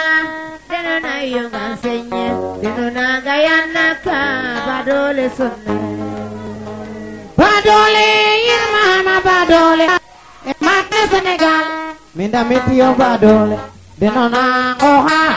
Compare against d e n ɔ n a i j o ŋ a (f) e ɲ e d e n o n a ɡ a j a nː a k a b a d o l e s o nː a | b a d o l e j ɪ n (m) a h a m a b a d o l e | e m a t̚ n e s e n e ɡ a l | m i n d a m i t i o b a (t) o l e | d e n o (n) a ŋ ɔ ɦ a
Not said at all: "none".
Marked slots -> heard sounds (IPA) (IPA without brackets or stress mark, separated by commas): s, m, d, n